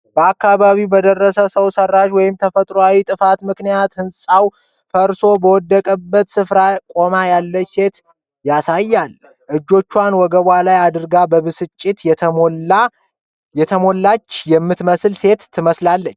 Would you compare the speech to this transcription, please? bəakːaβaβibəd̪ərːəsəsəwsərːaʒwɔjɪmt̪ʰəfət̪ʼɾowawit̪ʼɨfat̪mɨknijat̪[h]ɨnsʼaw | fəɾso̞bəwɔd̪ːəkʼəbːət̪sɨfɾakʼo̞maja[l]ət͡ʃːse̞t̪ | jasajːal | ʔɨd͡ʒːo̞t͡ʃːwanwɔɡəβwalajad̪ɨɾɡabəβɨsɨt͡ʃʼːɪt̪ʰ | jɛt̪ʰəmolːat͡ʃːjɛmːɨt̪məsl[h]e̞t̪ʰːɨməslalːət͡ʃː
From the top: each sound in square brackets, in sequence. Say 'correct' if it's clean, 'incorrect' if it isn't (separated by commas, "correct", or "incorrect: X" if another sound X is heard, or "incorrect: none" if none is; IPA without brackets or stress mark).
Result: correct, incorrect: lː, incorrect: s